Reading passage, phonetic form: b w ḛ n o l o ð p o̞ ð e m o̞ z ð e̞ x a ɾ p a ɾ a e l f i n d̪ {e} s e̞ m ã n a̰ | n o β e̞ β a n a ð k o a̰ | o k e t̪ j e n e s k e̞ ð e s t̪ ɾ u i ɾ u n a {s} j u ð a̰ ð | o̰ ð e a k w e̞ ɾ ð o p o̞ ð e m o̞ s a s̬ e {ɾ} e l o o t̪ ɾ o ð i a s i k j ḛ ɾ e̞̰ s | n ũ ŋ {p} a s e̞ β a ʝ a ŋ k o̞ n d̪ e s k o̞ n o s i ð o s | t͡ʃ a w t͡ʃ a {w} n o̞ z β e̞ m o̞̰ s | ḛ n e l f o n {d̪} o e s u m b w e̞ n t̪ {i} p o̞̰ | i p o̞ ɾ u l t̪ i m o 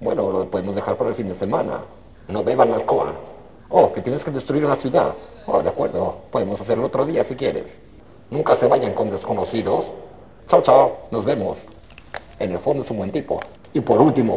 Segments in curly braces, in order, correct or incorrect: correct, correct, correct, incorrect: k, correct, correct, correct

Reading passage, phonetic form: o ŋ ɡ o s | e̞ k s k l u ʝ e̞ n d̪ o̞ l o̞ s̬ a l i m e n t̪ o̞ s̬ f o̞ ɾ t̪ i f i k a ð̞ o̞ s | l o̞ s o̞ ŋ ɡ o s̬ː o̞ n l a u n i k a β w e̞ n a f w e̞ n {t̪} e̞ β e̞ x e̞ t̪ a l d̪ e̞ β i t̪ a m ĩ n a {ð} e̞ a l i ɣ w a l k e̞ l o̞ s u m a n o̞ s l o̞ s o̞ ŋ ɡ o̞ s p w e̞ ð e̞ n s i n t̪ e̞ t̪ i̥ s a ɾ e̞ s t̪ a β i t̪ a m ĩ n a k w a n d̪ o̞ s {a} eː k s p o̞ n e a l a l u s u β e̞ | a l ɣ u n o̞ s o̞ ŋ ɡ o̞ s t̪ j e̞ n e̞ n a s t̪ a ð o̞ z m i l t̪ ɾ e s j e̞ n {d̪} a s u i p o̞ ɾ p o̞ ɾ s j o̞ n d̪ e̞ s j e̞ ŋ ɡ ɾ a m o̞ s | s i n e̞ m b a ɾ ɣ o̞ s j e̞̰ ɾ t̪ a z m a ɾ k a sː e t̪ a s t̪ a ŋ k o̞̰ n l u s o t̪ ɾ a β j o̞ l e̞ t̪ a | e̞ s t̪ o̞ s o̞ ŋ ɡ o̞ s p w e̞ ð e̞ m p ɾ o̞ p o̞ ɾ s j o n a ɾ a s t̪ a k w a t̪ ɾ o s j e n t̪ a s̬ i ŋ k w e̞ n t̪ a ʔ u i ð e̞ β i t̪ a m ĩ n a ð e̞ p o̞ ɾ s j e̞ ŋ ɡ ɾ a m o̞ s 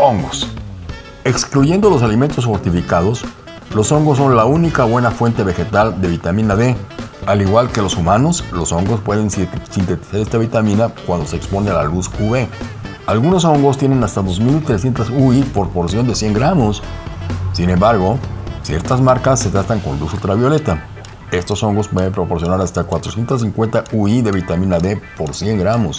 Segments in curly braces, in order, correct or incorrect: correct, correct, incorrect: e, incorrect: t̪

